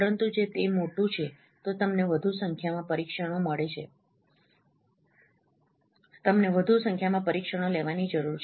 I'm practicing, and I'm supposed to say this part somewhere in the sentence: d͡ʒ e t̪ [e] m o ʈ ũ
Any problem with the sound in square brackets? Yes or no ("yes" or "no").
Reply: no